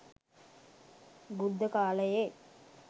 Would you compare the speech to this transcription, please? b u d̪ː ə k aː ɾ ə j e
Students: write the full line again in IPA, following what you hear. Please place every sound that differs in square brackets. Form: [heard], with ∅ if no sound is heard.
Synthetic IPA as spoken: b u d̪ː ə k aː [l] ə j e